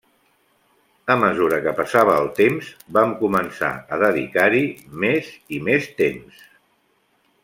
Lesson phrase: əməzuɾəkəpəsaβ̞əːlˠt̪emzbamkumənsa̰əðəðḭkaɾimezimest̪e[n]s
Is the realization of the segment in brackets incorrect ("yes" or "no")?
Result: yes